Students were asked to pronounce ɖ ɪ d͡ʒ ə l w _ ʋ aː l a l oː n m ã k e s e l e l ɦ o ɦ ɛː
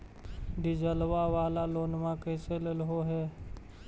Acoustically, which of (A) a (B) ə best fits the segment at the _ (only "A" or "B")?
A